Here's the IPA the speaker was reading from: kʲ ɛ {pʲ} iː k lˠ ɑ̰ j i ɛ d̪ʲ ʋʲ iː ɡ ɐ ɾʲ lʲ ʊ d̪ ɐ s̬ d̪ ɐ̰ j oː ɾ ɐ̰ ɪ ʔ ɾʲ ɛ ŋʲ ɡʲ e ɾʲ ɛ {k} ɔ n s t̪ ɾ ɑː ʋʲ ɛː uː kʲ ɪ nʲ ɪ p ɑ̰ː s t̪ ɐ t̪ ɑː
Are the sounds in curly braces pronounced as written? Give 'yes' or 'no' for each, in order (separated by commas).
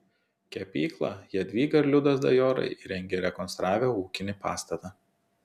yes, yes